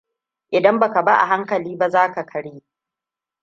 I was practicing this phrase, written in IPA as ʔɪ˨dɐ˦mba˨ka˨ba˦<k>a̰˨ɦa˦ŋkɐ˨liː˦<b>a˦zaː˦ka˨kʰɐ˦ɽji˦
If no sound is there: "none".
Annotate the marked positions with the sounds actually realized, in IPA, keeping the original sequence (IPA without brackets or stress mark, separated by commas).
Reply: ʔ, b